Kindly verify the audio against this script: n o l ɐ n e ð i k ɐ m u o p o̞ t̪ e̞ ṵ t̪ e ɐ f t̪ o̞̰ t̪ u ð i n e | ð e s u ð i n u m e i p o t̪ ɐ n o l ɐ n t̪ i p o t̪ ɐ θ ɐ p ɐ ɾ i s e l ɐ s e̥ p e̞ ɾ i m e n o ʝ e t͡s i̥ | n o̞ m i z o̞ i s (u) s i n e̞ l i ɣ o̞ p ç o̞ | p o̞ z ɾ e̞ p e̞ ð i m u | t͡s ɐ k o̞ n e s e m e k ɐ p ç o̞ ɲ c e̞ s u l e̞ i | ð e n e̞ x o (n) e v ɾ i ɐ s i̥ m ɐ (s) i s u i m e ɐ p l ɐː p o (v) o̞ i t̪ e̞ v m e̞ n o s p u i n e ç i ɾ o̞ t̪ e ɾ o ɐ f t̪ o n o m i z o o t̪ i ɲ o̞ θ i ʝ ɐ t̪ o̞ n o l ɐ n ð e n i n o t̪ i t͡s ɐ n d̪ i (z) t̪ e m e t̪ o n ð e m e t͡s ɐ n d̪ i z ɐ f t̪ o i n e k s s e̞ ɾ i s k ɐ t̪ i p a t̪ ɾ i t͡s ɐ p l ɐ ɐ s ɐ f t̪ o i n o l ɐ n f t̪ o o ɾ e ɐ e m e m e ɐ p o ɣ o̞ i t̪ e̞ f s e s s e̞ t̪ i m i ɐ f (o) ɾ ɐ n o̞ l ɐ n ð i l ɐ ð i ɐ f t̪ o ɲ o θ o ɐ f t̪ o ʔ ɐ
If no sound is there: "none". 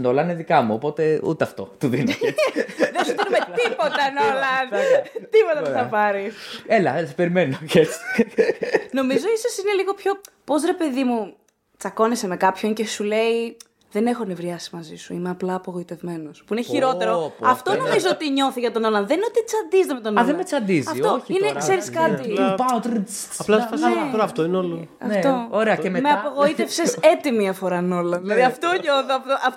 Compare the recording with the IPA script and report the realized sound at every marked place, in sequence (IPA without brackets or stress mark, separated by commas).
o, n, z, ɣ, z, o